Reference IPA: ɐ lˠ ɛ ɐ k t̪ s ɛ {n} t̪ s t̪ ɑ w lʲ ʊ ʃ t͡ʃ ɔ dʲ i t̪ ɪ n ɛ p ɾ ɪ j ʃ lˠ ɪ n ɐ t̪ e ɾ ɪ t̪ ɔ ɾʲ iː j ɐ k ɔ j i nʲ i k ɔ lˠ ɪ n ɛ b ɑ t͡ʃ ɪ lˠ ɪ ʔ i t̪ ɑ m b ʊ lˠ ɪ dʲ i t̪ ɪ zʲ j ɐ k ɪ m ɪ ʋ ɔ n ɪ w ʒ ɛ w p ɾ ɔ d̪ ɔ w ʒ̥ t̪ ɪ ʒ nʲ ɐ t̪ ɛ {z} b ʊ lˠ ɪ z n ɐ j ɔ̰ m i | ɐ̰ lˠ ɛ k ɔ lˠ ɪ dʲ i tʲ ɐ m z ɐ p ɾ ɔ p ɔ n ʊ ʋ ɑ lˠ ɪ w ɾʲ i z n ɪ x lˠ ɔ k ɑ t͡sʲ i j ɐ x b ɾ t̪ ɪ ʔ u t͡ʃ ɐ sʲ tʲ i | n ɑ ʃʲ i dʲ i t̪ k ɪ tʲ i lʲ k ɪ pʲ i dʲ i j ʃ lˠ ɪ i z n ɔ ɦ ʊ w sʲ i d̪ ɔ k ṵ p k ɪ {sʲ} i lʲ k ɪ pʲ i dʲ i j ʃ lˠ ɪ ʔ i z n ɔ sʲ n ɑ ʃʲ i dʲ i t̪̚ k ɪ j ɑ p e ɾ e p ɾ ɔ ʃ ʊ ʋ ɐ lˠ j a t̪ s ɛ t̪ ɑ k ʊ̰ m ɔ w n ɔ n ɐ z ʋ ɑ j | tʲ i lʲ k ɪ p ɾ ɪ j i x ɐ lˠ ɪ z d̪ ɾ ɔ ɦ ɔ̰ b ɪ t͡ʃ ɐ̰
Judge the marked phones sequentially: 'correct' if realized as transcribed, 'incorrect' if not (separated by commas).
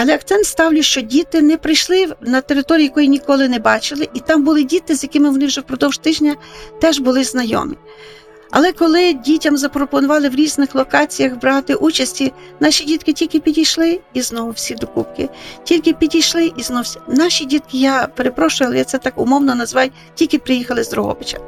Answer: correct, incorrect, incorrect